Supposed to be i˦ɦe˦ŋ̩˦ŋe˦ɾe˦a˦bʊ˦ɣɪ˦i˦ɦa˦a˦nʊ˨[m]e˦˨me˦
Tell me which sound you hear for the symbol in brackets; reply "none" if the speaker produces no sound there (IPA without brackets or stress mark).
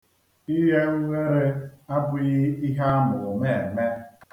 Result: m